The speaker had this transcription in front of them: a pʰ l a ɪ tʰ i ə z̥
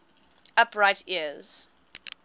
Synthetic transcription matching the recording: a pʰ ɹ a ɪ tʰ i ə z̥